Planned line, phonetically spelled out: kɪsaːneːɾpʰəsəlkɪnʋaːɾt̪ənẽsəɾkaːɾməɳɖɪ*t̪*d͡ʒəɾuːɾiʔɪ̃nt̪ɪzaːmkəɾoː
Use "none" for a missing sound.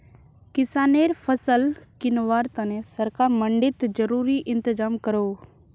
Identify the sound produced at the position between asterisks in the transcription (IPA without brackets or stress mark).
t̪